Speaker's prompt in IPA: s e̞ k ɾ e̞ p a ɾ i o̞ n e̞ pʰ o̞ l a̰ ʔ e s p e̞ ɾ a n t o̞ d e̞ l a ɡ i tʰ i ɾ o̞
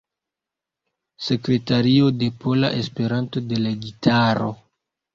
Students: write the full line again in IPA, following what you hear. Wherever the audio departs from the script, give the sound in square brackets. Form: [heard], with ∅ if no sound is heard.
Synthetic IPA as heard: s e̞ k ɾ e̞ [t] a ɾ i o̞ [d] e̞ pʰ o̞ l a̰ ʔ e s p e̞ ɾ a n t o̞ d e̞ l a ɡ i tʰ [a] ɾ o̞